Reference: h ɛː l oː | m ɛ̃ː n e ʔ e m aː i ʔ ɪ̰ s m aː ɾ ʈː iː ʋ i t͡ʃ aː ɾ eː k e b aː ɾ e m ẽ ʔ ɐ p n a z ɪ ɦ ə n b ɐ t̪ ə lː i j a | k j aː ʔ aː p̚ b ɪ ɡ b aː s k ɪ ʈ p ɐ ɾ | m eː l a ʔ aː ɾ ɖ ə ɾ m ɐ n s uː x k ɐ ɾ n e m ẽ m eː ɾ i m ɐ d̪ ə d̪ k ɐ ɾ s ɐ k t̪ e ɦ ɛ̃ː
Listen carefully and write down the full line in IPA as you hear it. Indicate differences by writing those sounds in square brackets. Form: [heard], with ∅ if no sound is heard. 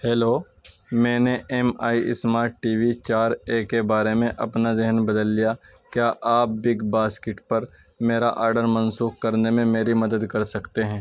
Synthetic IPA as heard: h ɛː l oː | m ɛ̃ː n e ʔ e m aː i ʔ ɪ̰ s m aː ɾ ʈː iː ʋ i t͡ʃ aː ɾ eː k e b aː ɾ e m ẽ ʔ ɐ p n a z ɪ ɦ ə n b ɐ [d̪] ə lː i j a | k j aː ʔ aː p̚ b ɪ ɡ b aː s k ɪ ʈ p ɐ ɾ | m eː [ɾ] a ʔ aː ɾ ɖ ə ɾ m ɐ n s uː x k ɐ ɾ n e m ẽ m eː ɾ i m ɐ d̪ ə d̪ k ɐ ɾ s ɐ k t̪ e ɦ ɛ̃ː

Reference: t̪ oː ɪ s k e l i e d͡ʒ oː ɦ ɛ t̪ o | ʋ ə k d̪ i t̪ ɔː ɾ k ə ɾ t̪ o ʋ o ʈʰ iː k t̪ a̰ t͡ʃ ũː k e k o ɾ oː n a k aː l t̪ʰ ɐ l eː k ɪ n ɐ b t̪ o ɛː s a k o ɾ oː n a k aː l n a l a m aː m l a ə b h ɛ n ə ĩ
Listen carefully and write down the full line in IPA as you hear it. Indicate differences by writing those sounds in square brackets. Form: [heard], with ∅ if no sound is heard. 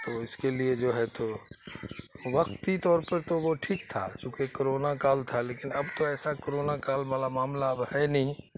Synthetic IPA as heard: t̪ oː ɪ s k e l i e d͡ʒ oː ɦ ɛ t̪ o | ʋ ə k [t̪] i t̪ ɔː ɾ [p] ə ɾ t̪ o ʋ o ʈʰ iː k [t̪ʰ] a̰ t͡ʃ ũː k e k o ɾ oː n a k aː l t̪ʰ [a] l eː k ɪ n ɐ b t̪ o ɛː s a k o ɾ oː n a k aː l [m] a l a m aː m l a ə b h ɛ n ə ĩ

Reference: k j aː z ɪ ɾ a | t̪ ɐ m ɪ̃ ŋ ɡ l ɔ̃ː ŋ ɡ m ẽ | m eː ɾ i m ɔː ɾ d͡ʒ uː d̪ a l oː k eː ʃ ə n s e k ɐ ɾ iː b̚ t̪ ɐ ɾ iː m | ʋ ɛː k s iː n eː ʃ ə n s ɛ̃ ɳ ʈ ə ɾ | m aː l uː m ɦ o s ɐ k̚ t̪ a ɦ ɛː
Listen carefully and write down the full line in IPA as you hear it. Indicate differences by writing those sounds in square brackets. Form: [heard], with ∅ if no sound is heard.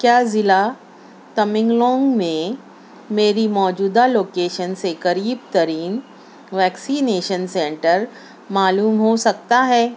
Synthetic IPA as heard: k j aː z ɪ [l] a | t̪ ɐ m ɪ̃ ŋ ɡ l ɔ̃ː ŋ ɡ m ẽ | m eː ɾ i m ɔː [∅] d͡ʒ uː d̪ a l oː k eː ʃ ə n s e k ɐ ɾ iː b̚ t̪ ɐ ɾ iː [n] | ʋ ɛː k s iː n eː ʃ ə n s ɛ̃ ɳ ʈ ə ɾ | m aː l uː m ɦ o s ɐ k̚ t̪ a ɦ ɛː

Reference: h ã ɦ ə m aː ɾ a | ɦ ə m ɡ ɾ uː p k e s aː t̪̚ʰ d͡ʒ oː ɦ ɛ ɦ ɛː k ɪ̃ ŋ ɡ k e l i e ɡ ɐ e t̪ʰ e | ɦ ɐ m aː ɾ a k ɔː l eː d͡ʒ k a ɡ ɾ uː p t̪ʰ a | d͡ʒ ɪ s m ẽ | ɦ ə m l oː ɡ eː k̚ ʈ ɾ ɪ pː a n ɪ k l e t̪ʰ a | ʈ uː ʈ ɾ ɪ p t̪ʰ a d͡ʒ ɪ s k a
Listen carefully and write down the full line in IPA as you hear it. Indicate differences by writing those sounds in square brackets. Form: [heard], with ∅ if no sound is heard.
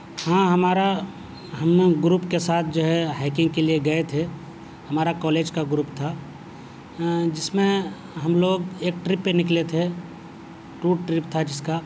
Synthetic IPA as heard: h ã ɦ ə m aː ɾ a | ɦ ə m ɡ ɾ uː p k e s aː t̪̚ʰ d͡ʒ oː ɦ ɛ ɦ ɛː k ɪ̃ ŋ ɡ k e l i e ɡ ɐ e t̪ʰ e | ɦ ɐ m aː ɾ a k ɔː l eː d͡ʒ k a ɡ ɾ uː p t̪ʰ a | d͡ʒ ɪ s m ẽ | ɦ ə m l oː ɡ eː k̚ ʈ ɾ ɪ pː [e] n ɪ k l e t̪ʰ [e] | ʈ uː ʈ ɾ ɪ p t̪ʰ a d͡ʒ ɪ s k a

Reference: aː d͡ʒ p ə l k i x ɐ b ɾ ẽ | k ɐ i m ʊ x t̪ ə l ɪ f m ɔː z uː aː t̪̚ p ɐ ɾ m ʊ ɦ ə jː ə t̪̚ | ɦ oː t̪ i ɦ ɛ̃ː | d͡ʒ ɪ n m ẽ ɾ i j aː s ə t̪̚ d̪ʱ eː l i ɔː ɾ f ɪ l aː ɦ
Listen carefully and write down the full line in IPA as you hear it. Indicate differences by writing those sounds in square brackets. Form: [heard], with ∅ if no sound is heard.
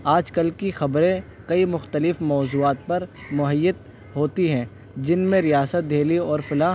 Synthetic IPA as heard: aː d͡ʒ [k] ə l k i x ɐ b ɾ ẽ | k ɐ i m ʊ x t̪ ə l ɪ f m ɔː z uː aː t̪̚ p ɐ ɾ m ʊ ɦ ə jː ə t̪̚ | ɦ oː t̪ i ɦ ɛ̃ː | d͡ʒ ɪ n m ẽ ɾ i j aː s ə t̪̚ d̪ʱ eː l i ɔː ɾ f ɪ l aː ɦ

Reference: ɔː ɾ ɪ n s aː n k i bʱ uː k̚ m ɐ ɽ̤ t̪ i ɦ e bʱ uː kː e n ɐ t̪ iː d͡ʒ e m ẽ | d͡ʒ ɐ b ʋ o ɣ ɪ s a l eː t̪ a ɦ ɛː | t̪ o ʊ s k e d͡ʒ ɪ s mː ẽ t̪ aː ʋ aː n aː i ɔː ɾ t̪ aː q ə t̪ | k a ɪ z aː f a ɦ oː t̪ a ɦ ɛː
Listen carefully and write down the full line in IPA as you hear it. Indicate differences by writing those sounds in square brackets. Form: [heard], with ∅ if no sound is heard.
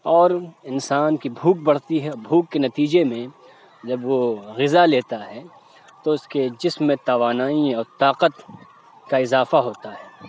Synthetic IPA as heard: ɔː ɾ ɪ n s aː n k i bʱ uː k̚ [b] ɐ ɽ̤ t̪ i ɦ [ɛ] bʱ uː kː e n ɐ t̪ iː d͡ʒ e m ẽ | d͡ʒ ɐ b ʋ o ɣ ɪ [z] a l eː t̪ a ɦ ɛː | t̪ o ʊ s k e d͡ʒ ɪ s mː ẽ t̪ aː ʋ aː n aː i ɔː ɾ t̪ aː q ə t̪ | k a ɪ z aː f a ɦ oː t̪ a ɦ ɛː

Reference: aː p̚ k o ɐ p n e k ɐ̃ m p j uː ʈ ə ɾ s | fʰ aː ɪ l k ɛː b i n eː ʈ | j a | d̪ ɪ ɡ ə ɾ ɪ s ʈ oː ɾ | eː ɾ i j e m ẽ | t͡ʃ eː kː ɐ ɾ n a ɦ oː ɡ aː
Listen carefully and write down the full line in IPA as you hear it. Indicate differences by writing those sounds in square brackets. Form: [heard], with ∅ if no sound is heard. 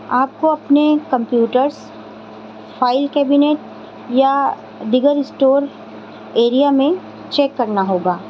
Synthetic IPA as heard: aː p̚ k o ɐ p n e k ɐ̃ m p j uː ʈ ə ɾ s | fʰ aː ɪ l k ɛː b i n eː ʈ | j a | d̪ ɪ ɡ ə ɾ ɪ s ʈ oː ɾ | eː ɾ i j [a] m ẽ | t͡ʃ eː kː ɐ ɾ n a ɦ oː ɡ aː

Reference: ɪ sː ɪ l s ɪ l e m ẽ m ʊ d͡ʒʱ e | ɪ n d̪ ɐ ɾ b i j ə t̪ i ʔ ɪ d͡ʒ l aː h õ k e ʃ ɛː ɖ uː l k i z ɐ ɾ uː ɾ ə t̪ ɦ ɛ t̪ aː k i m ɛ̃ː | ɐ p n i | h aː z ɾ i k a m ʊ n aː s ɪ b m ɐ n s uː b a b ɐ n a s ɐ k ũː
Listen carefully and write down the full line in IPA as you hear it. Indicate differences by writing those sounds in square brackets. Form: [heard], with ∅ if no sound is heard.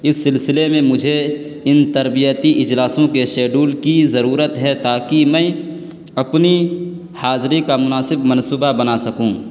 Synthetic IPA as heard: ɪ sː ɪ l s ɪ l e m ẽ m ʊ d͡ʒʱ e | ɪ n [t̪] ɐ ɾ b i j ə t̪ i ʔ ɪ d͡ʒ l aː [s] õ k e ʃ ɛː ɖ uː l k i z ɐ ɾ uː ɾ ə t̪ ɦ ɛ t̪ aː k i m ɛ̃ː | ɐ p n i | h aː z ɾ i k a m ʊ n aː s ɪ b m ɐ n s uː b a b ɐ n a s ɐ k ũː

